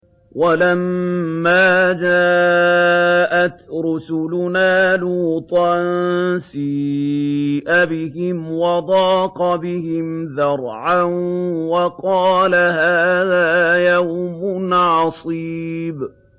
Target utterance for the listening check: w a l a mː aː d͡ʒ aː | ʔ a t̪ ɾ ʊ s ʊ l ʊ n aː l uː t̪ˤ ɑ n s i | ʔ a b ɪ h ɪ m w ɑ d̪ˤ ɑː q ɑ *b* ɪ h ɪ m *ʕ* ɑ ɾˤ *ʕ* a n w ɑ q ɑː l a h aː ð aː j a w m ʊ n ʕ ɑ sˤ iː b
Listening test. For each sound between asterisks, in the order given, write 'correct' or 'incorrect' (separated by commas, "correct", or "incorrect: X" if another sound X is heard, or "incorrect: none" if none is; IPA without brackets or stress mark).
correct, incorrect: ð, correct